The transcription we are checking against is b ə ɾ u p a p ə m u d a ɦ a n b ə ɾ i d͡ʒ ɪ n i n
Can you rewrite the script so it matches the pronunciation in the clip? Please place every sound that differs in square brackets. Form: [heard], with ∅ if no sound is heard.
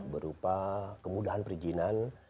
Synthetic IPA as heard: b ə ɾ u p a [k] ə m u d a ɦ a n [p] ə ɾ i d͡ʒ [i] n [a] n